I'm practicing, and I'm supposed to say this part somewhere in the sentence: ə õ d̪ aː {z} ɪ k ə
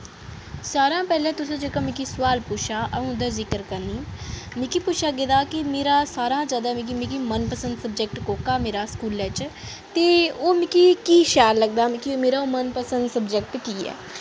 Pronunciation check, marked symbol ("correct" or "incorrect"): correct